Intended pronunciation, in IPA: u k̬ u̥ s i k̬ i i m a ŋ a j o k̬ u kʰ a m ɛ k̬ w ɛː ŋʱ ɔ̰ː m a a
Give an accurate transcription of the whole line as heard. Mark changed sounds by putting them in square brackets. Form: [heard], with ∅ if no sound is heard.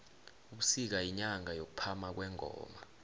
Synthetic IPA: u k̬ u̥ s i k̬ [a] i [ɲ] a ŋ a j o k̬ u [pʰ] a m [a] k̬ w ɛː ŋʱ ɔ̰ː m a a